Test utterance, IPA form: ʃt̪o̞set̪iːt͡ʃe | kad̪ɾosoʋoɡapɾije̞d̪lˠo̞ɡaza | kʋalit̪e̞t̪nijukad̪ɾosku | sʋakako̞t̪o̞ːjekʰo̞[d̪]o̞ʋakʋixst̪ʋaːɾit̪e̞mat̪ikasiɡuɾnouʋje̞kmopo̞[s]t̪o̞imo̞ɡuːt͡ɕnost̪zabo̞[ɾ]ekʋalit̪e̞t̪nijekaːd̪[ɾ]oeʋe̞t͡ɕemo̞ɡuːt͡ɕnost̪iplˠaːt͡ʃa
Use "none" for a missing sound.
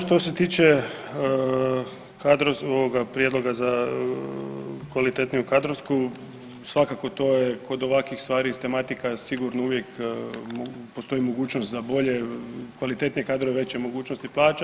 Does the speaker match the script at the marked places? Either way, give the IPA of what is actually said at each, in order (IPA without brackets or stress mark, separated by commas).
d̪, s, ʎ, ɾ